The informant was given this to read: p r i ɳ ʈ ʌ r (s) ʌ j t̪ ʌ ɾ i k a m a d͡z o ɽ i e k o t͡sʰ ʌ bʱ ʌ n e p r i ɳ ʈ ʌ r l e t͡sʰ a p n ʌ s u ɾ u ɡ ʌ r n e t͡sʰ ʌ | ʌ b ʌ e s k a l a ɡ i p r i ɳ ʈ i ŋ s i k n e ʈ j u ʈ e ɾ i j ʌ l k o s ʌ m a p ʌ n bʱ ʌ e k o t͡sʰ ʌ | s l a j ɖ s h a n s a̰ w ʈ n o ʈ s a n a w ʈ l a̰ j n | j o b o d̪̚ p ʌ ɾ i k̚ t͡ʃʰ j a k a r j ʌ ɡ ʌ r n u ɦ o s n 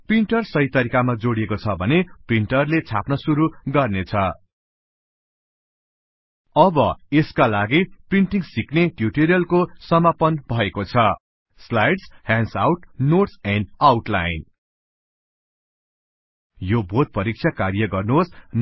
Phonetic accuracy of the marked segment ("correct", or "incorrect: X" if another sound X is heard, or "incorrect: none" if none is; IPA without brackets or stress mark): correct